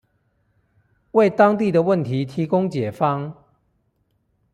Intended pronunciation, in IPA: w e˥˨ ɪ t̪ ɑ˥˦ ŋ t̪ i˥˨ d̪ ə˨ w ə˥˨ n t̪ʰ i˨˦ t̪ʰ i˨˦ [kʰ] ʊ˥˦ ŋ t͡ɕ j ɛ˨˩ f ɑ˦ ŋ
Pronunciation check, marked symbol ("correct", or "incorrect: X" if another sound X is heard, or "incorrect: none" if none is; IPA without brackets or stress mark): incorrect: k